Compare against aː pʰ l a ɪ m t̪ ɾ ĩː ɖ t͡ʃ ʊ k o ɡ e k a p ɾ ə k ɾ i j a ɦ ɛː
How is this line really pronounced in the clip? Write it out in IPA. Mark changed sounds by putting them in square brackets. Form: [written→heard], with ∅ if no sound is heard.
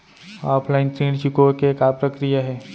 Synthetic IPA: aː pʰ l a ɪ [m→n] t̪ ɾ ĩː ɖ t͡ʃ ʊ k o [ɡ→k] e k a p ɾ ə k ɾ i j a ɦ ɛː